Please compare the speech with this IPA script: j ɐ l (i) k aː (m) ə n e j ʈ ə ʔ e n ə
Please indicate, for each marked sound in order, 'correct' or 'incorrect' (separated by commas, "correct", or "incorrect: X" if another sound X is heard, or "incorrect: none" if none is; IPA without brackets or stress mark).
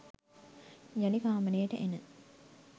correct, correct